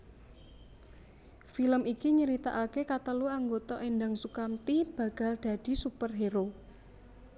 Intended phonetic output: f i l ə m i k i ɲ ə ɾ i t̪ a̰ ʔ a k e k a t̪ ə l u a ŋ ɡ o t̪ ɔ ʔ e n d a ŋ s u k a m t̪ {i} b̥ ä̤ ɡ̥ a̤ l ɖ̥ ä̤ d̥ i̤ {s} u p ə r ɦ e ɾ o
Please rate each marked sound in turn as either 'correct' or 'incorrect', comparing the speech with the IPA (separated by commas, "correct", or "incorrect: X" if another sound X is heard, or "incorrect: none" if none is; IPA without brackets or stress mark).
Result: correct, correct